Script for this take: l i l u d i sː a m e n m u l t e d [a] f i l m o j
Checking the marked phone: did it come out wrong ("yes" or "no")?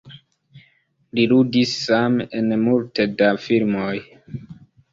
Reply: no